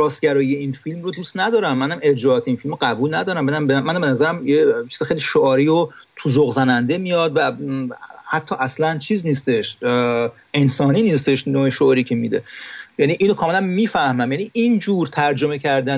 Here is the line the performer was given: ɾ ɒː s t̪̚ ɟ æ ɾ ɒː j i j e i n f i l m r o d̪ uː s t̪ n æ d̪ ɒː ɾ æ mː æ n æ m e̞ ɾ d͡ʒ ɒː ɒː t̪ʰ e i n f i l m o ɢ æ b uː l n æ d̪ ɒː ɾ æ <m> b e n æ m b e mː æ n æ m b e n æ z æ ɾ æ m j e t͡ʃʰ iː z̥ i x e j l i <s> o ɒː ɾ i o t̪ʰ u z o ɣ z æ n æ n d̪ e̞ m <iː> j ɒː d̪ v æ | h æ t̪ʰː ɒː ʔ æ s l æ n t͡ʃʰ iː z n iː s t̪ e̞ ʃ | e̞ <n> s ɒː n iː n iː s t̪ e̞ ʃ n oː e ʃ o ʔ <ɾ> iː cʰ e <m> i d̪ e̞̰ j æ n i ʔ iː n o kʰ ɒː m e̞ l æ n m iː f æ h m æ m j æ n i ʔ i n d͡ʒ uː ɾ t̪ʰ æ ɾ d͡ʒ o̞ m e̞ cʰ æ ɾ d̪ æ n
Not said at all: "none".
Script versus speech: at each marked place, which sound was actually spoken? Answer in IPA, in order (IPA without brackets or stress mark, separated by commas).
m, ʃ, i, n, ɾ, m